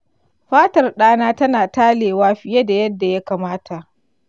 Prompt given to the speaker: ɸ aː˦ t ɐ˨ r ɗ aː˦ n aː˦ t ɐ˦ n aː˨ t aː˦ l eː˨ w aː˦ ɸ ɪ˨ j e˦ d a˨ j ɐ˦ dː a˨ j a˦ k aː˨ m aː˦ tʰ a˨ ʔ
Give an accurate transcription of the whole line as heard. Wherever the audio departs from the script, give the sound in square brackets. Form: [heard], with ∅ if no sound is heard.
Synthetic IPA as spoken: ɸ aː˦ t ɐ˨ r ɗ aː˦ n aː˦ t ɐ˦ n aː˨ t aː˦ l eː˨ w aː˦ ɸ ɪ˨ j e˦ d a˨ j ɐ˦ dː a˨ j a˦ k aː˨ m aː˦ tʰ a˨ ʔ